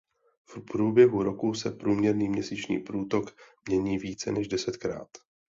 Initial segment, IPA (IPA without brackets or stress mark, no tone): f